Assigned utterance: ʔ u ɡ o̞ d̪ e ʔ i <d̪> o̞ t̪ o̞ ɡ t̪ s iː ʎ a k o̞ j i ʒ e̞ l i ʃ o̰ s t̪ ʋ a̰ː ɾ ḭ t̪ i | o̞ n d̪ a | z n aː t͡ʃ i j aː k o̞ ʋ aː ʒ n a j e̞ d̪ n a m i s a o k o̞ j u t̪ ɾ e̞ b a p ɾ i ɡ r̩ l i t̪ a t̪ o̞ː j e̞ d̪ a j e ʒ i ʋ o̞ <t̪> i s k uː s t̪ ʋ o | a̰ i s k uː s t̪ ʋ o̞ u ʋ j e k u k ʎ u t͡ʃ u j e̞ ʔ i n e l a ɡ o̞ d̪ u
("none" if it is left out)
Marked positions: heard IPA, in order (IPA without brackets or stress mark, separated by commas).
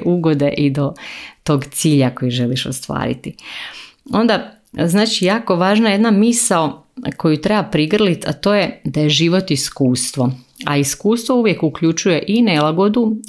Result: d̪, t̪